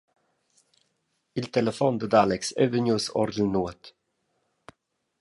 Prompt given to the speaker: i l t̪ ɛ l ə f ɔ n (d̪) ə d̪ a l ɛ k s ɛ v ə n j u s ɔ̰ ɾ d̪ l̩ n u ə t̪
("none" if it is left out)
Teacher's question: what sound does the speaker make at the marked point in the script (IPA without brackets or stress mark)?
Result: d̪